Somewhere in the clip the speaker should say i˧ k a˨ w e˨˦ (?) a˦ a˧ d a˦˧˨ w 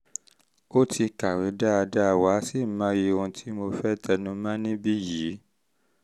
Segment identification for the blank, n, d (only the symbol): d